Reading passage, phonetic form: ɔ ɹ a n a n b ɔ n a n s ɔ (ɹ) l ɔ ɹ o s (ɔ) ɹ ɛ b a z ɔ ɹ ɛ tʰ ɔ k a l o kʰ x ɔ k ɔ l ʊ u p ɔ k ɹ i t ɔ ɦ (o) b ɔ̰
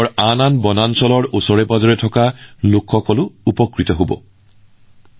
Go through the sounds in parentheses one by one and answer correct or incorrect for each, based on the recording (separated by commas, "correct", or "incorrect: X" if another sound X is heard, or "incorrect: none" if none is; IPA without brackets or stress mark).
incorrect: none, correct, correct